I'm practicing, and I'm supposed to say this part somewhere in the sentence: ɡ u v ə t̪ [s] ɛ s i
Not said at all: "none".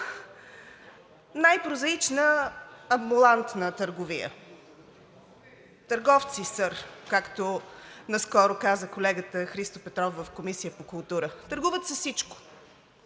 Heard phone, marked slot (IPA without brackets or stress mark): s